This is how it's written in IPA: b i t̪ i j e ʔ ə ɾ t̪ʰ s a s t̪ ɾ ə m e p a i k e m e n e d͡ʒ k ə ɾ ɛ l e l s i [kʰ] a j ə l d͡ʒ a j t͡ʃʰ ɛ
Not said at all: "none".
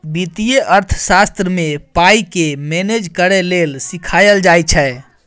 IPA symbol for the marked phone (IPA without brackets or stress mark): kʰ